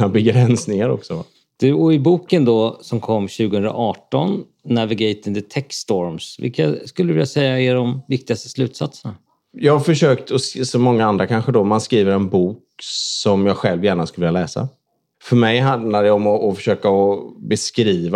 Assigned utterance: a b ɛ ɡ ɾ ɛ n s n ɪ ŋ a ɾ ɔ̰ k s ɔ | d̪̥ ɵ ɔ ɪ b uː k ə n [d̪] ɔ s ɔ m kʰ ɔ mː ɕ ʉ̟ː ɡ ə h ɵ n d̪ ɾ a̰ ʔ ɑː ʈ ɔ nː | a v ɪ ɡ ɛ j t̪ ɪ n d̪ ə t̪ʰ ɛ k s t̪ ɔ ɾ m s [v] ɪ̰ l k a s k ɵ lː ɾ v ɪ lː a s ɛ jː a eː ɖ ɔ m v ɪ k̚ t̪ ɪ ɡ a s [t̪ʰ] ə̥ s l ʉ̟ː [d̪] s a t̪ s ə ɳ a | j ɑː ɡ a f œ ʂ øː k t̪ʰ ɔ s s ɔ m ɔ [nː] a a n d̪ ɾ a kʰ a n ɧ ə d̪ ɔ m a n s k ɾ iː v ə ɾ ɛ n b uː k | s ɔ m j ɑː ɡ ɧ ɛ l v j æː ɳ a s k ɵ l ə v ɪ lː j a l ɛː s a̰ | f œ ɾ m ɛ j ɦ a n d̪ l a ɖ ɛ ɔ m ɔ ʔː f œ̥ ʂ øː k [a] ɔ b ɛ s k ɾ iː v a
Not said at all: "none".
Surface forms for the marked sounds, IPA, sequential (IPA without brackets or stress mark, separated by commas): d̪, v, t̪, t̪, ŋː, a